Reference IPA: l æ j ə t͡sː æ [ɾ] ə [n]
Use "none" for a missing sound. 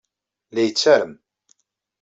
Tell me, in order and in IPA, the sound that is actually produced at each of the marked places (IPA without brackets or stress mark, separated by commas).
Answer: ɾ, m